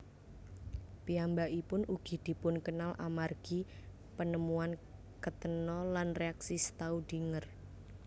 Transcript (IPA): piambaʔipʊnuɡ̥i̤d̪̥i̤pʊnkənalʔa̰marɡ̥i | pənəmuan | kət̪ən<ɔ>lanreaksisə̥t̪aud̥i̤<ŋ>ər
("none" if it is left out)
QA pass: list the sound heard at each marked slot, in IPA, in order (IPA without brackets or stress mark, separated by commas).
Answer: ɔ, ŋ